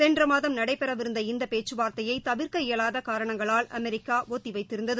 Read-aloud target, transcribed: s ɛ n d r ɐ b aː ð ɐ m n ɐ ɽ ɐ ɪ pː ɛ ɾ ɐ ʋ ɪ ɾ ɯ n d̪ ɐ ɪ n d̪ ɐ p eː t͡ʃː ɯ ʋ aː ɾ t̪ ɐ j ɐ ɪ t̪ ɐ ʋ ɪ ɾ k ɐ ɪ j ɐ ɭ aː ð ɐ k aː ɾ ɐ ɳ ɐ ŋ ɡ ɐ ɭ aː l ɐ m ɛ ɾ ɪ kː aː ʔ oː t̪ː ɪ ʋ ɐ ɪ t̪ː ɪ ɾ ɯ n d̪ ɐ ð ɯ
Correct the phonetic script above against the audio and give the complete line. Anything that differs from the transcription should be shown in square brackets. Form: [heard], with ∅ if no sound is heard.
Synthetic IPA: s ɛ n d r ɐ [m] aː ð ɐ m n ɐ ɽ ɐ ɪ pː ɛ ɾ ɐ ʋ ɪ ɾ ɯ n d̪ ɐ ɪ n d̪ ɐ p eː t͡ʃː ɯ ʋ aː ɾ t̪ ɐ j ɐ ɪ t̪ ɐ ʋ ɪ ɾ k ɐ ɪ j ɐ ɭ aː ð ɐ k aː ɾ ɐ ɳ ɐ ŋ ɡ ɐ ɭ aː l ɐ m ɛ ɾ ɪ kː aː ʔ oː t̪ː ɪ ʋ ɐ ɪ t̪ː ɪ ɾ ɯ n d̪ ɐ ð ɯ